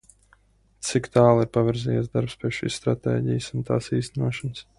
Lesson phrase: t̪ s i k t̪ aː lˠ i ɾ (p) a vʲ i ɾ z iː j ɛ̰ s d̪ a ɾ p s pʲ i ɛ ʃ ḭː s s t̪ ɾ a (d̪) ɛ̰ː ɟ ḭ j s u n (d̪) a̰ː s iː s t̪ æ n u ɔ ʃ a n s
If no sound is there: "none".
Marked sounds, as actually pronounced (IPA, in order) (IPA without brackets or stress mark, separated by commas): p, t̪, t̪